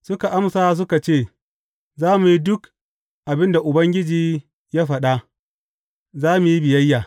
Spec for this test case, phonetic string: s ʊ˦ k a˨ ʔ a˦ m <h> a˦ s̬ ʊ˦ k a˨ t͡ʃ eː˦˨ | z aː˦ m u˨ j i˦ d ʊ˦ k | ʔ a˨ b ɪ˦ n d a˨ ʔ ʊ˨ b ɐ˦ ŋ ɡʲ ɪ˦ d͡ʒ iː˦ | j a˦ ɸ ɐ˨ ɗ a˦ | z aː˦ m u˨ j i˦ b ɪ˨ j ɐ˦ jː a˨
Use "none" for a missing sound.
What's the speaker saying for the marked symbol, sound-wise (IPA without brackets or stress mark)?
s